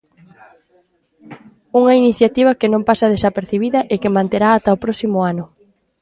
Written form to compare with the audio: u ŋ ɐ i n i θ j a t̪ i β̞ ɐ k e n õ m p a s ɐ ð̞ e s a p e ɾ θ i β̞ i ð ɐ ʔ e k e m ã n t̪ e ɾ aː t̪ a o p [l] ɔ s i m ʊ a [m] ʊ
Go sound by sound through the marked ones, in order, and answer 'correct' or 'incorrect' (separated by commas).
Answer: incorrect, incorrect